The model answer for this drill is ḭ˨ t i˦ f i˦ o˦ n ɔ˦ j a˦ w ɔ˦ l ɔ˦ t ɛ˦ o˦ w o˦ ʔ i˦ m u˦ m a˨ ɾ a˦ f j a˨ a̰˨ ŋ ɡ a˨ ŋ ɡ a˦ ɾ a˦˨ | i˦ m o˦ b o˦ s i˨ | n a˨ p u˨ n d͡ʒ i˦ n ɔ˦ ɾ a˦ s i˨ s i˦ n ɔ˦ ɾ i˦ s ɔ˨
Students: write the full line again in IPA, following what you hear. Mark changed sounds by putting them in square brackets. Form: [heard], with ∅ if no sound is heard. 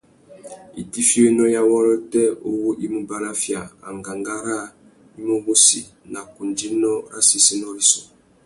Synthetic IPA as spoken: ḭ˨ t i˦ f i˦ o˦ n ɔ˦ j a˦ w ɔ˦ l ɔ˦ t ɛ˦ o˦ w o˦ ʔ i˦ m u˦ [b] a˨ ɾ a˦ f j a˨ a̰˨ ŋ ɡ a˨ ŋ ɡ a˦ ɾ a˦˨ | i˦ m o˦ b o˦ s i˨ | n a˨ [k] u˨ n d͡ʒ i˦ n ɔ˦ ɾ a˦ s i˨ s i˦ n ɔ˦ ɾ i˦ s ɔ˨